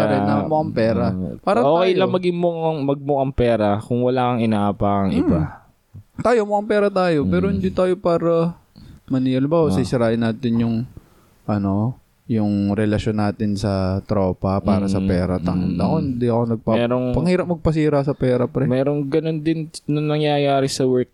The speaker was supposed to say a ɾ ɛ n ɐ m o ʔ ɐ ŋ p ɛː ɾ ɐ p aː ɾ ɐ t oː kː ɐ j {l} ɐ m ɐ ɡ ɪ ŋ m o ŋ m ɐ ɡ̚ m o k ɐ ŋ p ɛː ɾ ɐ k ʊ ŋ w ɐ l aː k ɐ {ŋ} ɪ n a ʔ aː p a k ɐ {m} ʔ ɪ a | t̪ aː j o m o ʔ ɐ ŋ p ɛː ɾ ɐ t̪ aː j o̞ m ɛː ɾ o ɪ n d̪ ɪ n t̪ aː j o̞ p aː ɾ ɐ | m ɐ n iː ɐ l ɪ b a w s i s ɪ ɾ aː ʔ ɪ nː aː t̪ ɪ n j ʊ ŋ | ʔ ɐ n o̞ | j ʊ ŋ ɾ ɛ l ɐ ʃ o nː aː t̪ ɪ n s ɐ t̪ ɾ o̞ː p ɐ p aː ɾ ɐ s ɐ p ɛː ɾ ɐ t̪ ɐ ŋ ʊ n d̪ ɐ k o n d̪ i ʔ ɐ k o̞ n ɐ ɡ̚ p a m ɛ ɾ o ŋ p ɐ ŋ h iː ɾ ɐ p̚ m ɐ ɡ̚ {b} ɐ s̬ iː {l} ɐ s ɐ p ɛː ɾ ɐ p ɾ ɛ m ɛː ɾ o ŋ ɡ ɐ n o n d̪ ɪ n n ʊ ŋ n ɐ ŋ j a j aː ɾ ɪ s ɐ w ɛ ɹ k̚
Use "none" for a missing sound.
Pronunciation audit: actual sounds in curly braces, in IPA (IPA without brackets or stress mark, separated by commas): l, ŋ, ŋ, p, ɾ